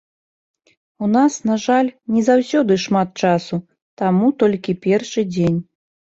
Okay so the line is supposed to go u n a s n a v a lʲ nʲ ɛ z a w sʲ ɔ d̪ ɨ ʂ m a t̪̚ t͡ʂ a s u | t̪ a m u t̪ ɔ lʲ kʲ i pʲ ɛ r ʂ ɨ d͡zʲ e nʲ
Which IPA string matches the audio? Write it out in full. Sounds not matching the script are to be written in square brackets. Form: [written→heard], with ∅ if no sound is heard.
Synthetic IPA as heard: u n a s n a [v→ʐ] a lʲ nʲ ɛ z a w sʲ ɔ d̪ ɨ ʂ m a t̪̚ t͡ʂ a s u | t̪ a m u t̪ ɔ lʲ kʲ i pʲ ɛ r ʂ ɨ d͡zʲ e nʲ